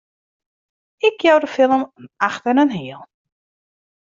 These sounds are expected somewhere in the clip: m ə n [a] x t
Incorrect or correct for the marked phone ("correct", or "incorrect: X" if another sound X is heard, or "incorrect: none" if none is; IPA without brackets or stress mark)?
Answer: correct